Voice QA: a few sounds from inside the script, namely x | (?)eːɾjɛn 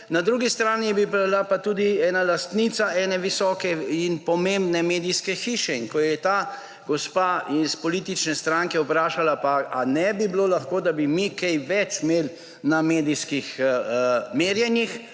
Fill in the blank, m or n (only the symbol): m